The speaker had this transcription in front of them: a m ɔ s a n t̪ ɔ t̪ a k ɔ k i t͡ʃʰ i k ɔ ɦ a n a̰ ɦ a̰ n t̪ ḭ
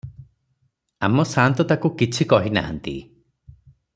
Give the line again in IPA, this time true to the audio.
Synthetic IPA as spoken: a m ɔ s a n t̪ ɔ t̪ a k u k i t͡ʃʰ i k ɔ ɦ i n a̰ ɦ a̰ n t̪ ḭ